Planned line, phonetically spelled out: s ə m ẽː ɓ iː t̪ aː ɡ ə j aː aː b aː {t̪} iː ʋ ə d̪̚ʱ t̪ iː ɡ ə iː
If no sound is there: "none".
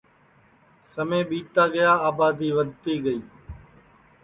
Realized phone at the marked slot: d̪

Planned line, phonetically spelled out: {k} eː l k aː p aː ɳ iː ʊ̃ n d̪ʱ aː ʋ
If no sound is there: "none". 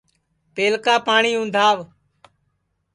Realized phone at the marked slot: p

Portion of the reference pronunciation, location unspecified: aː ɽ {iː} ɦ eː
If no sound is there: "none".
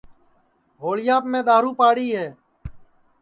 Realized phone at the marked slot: iː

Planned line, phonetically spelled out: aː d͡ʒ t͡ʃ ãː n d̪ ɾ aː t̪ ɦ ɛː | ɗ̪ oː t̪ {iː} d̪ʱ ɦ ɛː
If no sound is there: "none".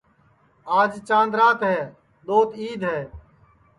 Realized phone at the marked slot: iː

